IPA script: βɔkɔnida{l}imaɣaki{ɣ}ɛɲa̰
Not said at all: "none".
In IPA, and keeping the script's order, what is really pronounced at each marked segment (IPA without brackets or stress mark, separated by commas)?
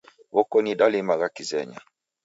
l, z